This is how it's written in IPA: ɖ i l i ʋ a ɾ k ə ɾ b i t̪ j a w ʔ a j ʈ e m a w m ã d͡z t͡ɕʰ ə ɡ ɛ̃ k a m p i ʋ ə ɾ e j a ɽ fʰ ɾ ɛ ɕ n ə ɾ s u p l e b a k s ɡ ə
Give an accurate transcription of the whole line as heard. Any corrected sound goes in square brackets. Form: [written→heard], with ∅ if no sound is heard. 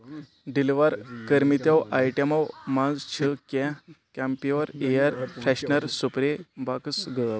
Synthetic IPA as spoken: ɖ i l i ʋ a ɾ k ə ɾ [b→m] i t̪ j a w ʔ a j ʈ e m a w m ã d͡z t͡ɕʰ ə [ɡ→k] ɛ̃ k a m p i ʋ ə ɾ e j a [ɽ→ɾ] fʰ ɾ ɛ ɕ n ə ɾ s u p [l→ɾ] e b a k s ɡ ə